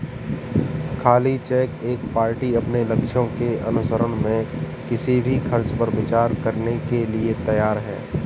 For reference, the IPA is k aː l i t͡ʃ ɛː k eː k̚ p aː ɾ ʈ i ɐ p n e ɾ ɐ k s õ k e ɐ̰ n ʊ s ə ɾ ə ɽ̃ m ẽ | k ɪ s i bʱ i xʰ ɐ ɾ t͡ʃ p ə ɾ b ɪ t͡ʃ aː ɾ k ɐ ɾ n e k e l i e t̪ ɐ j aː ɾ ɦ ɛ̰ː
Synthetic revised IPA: kʰ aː l i t͡ʃ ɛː k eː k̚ p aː ɾ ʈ i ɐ p n e l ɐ k ʃ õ k e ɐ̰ n ʊ s ə ɾ ə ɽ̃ m ẽ | k ɪ s i bʱ i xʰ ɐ ɾ t͡ʃ p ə ɾ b ɪ t͡ʃ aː ɾ k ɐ ɾ n e k e l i e t̪ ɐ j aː ɾ ɦ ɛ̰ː